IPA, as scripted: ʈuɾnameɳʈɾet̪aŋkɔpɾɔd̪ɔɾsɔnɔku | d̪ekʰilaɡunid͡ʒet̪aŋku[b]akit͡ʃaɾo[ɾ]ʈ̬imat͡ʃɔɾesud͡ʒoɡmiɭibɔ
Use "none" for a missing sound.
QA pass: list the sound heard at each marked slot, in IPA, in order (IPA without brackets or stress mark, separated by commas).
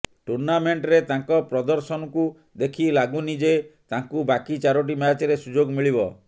b, none